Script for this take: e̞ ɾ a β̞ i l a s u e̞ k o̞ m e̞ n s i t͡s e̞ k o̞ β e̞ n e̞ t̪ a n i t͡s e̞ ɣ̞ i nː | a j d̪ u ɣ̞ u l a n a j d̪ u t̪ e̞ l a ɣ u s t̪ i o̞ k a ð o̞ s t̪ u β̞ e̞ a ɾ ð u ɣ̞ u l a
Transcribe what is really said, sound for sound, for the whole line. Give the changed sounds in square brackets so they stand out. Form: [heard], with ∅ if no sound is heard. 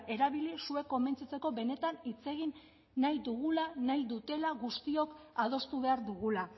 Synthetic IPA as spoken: e̞ ɾ a β̞ i l [i] s u e̞ k o̞ m e̞ n [t͡s] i t͡s e̞ k o̞ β e̞ n e̞ t̪ a n i t͡s e̞ ɣ̞ i nː | a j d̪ u ɣ̞ u l a n a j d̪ u t̪ e̞ l a ɣ u s t̪ i o̞ k a ð o̞ s t̪ u β̞ e̞ a ɾ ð u ɣ̞ u l a